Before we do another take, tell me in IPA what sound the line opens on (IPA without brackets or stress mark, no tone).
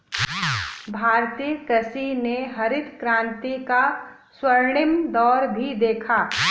bʱ